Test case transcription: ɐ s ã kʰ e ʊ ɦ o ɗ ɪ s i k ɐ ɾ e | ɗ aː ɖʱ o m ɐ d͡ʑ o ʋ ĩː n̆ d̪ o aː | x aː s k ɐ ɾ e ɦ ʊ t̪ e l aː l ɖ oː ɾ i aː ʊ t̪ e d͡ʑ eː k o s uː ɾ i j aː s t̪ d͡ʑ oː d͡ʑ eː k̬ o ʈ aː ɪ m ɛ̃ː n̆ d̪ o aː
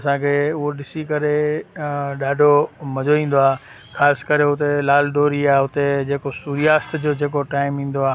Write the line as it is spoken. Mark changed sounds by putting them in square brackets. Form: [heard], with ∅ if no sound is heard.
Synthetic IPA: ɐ s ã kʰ e ʊ ɦ o ɗ ɪ s i k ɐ ɾ e | ɗ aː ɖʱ o m ɐ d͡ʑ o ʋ ĩː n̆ d̪ o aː | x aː s k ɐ ɾ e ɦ ʊ t̪ e l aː l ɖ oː ɾ i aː ʊ t̪ e d͡ʑ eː k o s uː ɾ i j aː s t̪ d͡ʑ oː d͡ʑ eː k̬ o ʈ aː ɪ m [ĩː] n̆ d̪ o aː